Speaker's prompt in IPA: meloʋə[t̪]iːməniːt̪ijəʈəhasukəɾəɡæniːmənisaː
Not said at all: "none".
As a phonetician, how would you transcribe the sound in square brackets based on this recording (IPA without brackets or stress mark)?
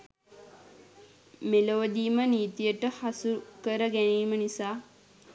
d̪